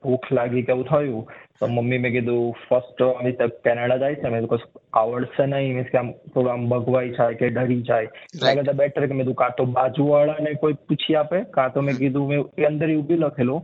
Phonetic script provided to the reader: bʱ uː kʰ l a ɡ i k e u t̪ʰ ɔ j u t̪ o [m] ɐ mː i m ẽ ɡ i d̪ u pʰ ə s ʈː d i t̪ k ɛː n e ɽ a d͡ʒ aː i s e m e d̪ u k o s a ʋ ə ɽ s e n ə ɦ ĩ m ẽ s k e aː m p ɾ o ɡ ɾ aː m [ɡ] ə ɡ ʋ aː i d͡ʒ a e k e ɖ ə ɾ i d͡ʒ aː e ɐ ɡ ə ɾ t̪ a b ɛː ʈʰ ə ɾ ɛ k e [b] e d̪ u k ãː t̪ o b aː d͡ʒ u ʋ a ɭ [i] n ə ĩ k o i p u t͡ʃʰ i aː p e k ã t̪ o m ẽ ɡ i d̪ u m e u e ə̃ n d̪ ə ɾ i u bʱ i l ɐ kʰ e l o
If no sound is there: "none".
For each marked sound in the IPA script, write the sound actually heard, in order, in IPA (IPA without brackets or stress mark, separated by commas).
m, b, m, a